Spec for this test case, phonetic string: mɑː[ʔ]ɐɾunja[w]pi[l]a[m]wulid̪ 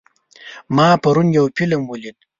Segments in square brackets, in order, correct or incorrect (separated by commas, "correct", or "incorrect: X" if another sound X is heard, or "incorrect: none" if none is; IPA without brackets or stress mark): incorrect: p, correct, correct, correct